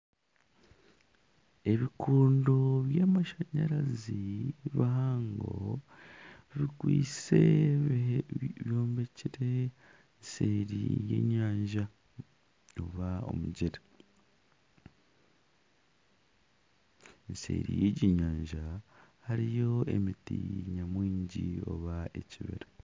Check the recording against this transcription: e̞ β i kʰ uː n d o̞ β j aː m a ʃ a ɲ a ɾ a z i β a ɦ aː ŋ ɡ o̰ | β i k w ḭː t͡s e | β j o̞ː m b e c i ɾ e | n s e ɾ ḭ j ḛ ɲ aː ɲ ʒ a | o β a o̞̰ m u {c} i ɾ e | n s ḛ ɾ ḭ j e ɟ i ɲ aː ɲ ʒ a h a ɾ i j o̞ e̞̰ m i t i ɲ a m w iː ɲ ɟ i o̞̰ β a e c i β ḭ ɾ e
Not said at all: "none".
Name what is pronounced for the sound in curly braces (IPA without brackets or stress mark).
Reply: ɟ